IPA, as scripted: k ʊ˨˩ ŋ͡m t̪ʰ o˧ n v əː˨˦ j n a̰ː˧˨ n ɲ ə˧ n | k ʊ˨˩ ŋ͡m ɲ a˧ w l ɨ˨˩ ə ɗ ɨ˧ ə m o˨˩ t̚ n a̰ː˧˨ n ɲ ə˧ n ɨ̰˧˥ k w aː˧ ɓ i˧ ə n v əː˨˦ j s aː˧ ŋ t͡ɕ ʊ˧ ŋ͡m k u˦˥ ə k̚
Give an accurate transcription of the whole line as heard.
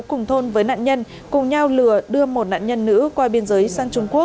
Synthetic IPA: k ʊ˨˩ ŋ͡m t̪ʰ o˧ n v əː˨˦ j n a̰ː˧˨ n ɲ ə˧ n | k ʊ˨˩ ŋ͡m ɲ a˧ w l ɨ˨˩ ə ɗ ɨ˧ ə m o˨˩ t̚ n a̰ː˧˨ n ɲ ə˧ nː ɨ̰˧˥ k w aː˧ ɓ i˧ ə n z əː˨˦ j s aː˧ ŋ t͡ɕ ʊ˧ ŋ͡m k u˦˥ ə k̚